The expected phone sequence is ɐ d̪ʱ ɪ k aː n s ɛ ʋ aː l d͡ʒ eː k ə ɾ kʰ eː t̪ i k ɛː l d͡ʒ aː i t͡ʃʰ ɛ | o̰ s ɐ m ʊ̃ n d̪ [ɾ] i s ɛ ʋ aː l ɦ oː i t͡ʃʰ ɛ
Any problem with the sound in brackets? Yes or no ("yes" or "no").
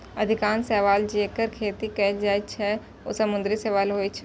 no